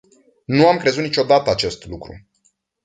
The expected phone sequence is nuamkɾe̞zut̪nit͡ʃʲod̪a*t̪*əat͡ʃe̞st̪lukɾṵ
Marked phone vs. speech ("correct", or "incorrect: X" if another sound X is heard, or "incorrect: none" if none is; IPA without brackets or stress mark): correct